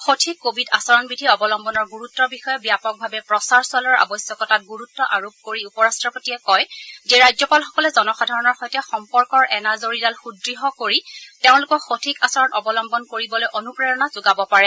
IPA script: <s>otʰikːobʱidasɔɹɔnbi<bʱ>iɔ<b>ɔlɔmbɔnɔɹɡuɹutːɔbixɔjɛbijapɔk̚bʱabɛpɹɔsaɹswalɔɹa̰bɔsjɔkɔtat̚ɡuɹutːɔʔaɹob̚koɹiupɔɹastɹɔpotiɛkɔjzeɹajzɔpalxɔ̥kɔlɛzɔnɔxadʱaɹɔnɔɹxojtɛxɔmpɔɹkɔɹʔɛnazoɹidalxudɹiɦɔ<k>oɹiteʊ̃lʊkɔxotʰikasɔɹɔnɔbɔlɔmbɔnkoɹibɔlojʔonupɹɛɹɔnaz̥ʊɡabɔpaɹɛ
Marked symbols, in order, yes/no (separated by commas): no, no, yes, yes